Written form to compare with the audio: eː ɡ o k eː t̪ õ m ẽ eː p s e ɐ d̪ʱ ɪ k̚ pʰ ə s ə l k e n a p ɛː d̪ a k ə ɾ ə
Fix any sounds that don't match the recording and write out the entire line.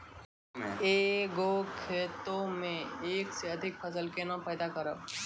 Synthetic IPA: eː ɡ o kʰ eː t̪ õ m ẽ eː k s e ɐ d̪ʱ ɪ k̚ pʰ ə s ə l k e n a p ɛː d̪ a k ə ɾ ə